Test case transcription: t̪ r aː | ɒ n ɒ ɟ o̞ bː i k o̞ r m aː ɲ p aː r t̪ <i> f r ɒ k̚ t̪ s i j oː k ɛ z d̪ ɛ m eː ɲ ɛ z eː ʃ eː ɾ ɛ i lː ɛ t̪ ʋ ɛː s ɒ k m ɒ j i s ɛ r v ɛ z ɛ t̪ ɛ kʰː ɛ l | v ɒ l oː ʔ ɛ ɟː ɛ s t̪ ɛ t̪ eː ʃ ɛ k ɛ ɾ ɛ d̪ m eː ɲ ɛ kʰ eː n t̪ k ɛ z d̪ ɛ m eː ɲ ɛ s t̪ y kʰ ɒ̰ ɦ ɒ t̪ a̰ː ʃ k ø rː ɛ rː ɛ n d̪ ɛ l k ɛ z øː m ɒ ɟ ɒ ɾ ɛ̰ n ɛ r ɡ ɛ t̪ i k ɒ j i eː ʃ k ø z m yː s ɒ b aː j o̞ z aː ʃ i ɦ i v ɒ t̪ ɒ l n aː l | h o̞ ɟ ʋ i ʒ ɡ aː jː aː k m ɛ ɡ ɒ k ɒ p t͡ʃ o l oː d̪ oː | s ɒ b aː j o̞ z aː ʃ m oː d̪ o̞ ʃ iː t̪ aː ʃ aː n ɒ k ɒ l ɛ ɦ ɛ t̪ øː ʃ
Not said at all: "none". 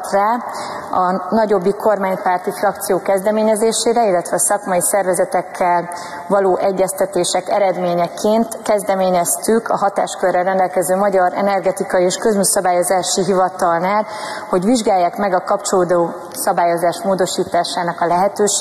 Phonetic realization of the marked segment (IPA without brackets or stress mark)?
i